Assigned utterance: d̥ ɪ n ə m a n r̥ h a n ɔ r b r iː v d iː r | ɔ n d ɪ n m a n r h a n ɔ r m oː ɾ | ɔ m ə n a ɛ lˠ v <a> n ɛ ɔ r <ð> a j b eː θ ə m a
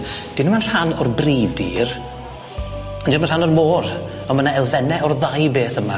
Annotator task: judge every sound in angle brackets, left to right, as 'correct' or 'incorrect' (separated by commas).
incorrect, correct